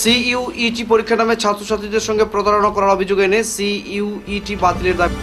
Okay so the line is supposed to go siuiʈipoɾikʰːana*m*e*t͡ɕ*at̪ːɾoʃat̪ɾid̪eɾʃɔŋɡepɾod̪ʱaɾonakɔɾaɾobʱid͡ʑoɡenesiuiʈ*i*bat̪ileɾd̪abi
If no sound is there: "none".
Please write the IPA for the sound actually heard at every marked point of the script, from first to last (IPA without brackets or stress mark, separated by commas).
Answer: m, t͡ɕʰ, i